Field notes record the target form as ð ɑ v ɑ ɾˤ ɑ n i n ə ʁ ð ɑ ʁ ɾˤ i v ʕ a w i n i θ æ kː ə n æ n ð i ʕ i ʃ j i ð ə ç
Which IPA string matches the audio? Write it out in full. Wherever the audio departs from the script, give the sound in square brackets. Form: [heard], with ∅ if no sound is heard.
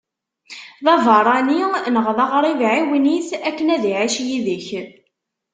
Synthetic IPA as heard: ð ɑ v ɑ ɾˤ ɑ n i n ə ʁ ð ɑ ʁ ɾˤ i v ʕ [i] w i n i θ æ kː ə n æ [∅] ð i ʕ i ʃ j i ð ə ç